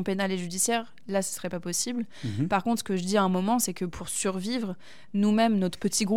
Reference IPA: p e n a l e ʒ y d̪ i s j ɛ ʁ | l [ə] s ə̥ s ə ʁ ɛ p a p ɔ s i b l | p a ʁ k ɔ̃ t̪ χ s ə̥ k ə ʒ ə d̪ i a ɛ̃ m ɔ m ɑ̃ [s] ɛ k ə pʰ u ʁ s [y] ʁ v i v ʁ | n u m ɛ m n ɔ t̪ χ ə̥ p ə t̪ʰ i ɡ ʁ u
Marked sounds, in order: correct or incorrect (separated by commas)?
incorrect, correct, correct